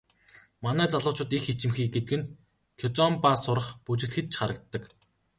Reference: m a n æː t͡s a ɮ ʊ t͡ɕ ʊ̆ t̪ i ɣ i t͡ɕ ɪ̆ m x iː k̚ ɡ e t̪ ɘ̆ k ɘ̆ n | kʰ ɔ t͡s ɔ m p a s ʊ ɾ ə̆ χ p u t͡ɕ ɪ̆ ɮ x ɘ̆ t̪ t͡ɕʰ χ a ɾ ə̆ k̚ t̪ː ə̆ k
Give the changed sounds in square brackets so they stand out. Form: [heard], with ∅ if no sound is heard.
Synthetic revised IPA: m a n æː t͡s a ɮ [ʊː] t͡ɕ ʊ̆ t̪ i [x] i t͡ɕ ɪ̆ m x iː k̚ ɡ e t̪ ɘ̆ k ɘ̆ n | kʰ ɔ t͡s ɔ m p a s ʊ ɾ ə̆ χ p u t͡ɕ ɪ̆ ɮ x ɘ̆ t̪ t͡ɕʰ χ a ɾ ə̆ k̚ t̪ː ə̆ k